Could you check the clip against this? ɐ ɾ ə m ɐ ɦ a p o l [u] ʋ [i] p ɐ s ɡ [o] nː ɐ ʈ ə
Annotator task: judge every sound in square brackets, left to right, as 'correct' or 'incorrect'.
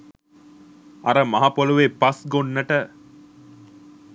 correct, incorrect, correct

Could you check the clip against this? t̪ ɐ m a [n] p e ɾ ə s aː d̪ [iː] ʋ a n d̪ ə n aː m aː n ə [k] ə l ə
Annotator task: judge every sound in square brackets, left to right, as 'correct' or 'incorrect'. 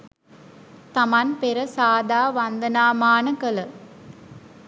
correct, incorrect, correct

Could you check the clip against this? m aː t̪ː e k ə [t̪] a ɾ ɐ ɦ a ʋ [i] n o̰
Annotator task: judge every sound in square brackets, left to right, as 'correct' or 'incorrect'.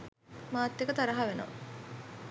correct, incorrect

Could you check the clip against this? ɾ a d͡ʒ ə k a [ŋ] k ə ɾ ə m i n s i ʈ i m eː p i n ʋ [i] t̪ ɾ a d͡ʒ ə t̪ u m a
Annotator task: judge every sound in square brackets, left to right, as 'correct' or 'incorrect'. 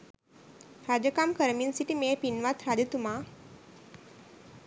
incorrect, incorrect

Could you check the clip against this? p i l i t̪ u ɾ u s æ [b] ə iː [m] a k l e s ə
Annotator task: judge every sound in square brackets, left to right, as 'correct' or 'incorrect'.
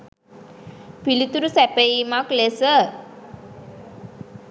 incorrect, correct

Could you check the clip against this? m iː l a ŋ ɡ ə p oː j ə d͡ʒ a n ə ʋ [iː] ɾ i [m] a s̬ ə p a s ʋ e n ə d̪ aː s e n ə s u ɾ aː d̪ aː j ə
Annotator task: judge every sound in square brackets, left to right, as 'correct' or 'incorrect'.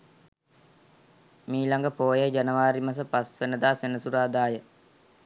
incorrect, correct

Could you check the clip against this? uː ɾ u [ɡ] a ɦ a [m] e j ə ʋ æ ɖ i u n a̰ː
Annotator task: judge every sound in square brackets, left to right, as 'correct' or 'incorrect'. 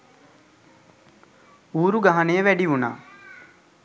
correct, incorrect

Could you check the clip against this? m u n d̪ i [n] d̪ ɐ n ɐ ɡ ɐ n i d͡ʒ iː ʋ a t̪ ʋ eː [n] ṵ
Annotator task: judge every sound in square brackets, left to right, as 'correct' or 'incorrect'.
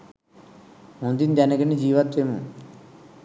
correct, incorrect

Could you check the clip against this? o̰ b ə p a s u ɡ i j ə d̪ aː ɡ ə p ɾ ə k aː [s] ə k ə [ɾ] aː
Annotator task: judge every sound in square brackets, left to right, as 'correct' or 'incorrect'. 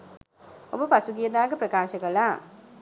incorrect, incorrect

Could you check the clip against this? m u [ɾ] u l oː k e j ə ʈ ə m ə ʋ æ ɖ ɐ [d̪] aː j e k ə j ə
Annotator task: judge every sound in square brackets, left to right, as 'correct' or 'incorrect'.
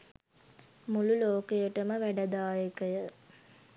incorrect, correct

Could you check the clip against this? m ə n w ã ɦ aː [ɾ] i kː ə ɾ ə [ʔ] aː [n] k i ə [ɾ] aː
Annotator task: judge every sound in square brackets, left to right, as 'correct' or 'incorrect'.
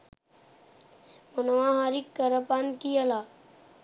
correct, incorrect, correct, incorrect

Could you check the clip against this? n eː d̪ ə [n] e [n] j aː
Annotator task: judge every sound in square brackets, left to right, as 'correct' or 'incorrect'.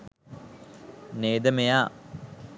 incorrect, incorrect

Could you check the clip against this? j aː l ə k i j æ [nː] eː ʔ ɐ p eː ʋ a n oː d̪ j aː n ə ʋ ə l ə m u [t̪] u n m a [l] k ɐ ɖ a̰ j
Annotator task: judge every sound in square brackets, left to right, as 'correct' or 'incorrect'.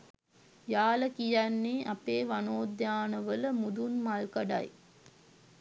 correct, incorrect, correct

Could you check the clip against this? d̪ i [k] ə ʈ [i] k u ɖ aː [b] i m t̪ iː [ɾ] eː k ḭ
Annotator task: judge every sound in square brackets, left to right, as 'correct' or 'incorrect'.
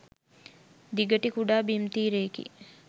incorrect, correct, correct, correct

